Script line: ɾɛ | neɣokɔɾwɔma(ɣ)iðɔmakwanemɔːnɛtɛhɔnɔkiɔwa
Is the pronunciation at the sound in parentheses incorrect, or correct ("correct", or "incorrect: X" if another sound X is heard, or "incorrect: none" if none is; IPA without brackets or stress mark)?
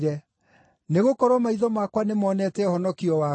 incorrect: none